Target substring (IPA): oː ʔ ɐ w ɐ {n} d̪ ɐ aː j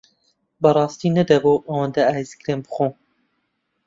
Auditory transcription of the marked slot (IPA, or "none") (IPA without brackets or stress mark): n